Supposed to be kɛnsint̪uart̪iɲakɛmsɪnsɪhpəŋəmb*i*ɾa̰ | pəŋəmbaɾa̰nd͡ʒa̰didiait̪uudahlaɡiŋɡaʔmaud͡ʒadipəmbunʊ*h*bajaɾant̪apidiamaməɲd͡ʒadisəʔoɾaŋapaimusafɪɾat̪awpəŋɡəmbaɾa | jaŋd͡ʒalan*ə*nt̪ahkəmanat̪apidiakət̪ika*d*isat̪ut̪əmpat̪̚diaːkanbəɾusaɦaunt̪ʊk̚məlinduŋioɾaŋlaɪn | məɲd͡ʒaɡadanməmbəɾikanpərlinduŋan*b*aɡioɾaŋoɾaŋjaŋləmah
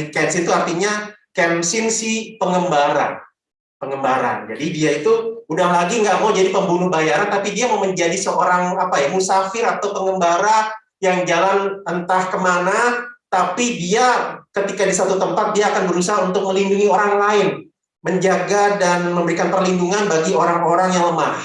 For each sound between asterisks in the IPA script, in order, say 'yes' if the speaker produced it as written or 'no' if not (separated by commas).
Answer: no, yes, yes, yes, yes